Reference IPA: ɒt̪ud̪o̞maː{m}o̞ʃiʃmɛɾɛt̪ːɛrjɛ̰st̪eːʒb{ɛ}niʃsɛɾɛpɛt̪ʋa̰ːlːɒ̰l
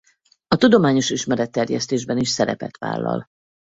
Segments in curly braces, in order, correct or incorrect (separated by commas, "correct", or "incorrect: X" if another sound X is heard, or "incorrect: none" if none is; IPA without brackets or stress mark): incorrect: ɲ, correct